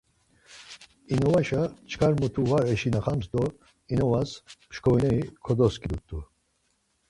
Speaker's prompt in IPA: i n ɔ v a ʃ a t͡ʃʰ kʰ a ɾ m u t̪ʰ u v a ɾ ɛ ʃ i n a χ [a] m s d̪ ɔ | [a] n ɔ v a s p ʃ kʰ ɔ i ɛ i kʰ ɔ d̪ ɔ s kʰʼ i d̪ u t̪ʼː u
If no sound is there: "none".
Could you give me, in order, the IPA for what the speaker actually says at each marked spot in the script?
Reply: a, i

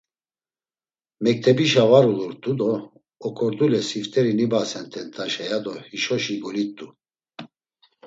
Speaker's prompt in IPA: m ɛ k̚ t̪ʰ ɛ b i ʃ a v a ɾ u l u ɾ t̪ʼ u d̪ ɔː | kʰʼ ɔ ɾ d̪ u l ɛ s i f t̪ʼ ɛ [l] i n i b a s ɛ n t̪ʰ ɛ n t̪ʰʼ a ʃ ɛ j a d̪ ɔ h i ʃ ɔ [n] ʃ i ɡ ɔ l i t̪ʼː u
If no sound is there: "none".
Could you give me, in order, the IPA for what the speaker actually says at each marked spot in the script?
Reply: ɾ, none

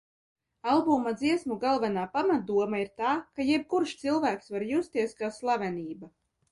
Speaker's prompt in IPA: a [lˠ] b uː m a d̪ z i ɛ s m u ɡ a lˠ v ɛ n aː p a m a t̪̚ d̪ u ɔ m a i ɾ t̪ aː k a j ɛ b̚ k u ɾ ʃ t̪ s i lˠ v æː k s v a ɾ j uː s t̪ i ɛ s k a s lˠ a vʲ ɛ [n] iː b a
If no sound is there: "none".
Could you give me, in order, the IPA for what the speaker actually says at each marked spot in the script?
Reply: lˠ, n

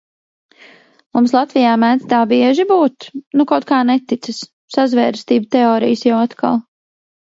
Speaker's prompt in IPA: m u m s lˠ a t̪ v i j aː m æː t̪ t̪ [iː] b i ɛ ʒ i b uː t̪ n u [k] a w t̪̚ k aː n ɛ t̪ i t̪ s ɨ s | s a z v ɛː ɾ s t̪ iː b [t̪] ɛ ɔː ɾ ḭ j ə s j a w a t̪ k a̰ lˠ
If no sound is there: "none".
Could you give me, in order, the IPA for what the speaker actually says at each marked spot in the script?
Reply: aː, k, t̪

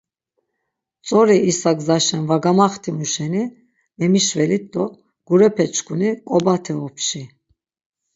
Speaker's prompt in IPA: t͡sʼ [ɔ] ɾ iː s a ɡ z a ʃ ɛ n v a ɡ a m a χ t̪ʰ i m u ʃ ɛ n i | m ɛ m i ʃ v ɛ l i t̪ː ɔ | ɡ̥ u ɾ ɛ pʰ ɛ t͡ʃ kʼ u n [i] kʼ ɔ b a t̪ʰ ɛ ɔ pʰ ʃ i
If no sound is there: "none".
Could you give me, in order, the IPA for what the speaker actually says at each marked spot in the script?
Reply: ɔ, i

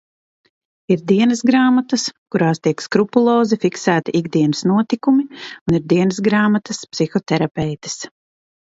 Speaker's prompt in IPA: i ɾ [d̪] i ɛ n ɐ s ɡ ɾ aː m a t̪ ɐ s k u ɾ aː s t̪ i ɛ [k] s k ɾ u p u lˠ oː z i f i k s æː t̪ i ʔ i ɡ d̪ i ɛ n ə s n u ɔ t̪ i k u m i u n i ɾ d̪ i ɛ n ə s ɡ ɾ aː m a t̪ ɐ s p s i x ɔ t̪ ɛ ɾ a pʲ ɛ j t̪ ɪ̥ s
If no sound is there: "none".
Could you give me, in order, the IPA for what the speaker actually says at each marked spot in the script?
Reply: d̪, k

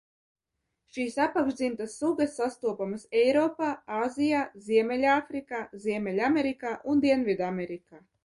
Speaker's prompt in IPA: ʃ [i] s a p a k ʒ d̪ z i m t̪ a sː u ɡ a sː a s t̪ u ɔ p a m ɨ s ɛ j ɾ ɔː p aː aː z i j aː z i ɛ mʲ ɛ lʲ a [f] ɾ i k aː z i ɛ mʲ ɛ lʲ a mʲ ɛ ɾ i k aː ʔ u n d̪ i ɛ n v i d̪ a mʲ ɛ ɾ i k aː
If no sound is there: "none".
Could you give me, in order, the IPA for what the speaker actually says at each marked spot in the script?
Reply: iː, f

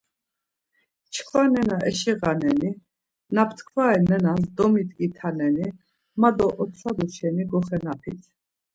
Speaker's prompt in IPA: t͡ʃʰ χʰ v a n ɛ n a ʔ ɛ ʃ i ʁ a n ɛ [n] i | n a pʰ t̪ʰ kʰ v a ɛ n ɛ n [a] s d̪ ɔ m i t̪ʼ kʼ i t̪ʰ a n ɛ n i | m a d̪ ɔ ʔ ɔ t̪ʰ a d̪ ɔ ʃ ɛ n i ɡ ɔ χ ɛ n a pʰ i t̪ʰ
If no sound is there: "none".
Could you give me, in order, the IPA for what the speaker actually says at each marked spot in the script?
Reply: n, a

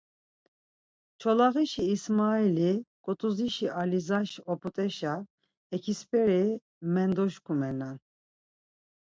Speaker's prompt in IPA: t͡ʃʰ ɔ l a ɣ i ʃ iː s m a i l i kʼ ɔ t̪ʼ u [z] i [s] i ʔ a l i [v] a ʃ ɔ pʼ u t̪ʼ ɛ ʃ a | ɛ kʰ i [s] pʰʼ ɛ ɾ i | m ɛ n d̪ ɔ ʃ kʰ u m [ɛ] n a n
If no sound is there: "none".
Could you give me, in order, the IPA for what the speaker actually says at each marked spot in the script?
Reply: z, ʃ, z, s, ɛ

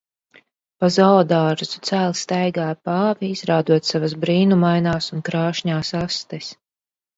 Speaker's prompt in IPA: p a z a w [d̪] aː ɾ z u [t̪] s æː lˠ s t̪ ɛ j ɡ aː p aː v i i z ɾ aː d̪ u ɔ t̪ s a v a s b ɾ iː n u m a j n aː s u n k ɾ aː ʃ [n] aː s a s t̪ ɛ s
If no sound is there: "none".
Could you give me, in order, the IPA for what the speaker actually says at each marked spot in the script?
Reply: d̪, t̪, ɲ

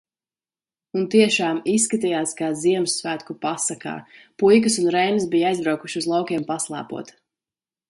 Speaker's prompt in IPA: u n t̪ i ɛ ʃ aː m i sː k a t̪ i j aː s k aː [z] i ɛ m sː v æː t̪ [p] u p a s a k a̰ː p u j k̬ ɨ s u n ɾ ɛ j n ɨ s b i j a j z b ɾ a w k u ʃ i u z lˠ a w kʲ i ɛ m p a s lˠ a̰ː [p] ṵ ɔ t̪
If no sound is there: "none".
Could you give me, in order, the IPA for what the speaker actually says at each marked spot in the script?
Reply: z, k, p

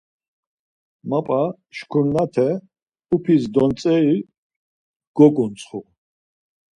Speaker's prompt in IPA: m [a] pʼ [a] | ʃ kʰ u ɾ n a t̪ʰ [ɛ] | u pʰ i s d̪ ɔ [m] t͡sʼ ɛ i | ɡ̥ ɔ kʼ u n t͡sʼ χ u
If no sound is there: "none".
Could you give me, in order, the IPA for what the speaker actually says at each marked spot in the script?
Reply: a, a, ɛ, n

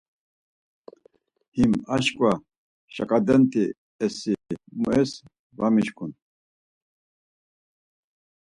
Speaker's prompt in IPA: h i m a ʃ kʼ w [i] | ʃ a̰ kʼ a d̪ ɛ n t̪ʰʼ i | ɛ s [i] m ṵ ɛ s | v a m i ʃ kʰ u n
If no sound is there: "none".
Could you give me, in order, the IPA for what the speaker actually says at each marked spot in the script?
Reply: a, i

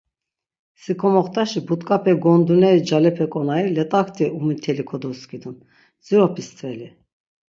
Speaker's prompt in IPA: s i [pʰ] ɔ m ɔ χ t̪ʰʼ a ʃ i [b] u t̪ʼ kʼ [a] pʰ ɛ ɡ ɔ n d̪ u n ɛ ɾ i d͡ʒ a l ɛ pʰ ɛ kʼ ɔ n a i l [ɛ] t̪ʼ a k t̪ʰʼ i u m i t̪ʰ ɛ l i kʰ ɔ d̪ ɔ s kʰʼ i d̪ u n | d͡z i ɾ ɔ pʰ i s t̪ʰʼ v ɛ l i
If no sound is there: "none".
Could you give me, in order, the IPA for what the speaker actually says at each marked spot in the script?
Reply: kʰ, b, a, ɛ

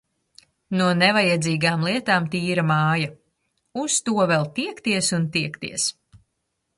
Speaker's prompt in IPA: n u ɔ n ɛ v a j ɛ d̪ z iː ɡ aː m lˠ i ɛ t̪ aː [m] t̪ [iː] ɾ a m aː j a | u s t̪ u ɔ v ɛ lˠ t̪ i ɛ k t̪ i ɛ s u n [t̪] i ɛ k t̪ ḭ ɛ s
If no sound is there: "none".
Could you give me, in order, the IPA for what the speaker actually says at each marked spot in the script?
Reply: m, iː, t̪

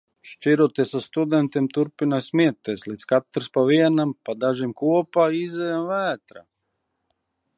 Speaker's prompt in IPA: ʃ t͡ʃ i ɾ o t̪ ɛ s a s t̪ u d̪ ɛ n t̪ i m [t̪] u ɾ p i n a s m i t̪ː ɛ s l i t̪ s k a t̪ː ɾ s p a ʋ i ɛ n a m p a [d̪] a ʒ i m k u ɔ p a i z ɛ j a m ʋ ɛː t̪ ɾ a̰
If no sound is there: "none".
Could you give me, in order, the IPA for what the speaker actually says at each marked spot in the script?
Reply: t̪, d̪

